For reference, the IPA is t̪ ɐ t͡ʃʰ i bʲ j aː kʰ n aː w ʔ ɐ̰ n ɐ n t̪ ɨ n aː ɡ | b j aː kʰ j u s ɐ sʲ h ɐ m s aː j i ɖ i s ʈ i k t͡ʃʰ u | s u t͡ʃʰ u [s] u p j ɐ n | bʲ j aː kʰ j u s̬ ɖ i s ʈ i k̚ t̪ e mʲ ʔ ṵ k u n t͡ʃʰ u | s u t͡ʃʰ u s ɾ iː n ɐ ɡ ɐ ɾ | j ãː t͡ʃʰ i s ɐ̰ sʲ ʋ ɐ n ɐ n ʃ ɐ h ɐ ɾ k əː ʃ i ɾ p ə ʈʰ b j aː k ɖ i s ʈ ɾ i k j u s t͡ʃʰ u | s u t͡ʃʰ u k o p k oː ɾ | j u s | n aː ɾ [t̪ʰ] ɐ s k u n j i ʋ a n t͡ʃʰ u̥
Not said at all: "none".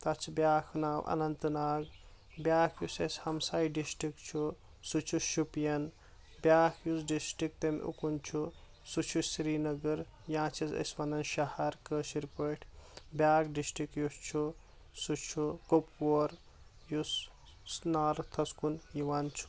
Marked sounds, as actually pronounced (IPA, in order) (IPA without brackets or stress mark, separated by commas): ʃ, t̪ʰ